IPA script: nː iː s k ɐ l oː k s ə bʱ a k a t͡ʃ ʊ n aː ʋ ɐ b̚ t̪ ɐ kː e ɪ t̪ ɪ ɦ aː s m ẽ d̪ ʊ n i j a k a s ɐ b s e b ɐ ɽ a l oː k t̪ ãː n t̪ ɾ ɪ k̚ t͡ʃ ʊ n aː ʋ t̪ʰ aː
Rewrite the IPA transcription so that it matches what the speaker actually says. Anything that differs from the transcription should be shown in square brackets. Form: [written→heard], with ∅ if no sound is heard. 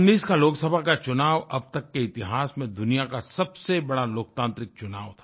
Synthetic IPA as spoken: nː iː s k [ɐ→a] l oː k s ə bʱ a k a t͡ʃ ʊ n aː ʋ ɐ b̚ t̪ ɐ kː e ɪ t̪ ɪ ɦ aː s m ẽ d̪ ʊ n i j a k a s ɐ b s e b ɐ ɽ a l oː k t̪ ãː n t̪ ɾ ɪ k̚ t͡ʃ ʊ n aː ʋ t̪ʰ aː